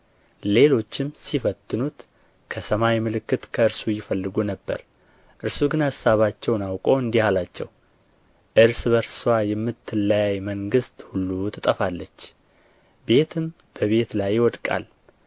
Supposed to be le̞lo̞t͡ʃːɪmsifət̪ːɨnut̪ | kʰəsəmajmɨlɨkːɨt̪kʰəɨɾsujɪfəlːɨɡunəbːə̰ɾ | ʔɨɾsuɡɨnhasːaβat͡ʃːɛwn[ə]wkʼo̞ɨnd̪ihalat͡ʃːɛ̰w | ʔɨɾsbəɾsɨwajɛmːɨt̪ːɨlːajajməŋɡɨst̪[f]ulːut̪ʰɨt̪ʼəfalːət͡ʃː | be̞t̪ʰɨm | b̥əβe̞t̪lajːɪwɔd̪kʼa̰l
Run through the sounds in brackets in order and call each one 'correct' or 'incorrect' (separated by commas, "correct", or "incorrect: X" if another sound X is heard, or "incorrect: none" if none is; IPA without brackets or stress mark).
incorrect: a, incorrect: h